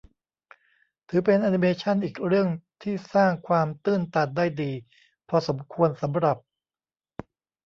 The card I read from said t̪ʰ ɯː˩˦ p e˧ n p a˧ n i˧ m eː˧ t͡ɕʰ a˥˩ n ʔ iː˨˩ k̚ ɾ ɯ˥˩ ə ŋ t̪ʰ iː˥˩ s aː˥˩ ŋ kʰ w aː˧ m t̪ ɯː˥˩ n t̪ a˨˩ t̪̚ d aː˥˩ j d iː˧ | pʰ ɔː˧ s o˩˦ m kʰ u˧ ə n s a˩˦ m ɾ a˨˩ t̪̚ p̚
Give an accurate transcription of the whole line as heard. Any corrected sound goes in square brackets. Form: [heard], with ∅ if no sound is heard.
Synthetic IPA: t̪ʰ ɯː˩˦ p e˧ n [ʔ] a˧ n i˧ m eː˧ t͡ɕʰ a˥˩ n ʔ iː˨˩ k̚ ɾ ɯ˥˩ ə ŋ t̪ʰ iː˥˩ s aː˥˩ ŋ kʰ w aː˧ m t̪ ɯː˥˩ n t̪ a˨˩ t̪̚ d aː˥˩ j d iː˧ | pʰ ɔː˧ s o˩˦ m kʰ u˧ ə n s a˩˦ m ɾ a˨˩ [∅] p̚